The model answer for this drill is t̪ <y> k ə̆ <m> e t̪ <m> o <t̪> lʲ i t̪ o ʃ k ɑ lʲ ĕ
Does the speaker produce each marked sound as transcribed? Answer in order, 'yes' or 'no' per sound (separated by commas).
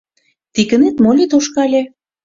no, no, yes, no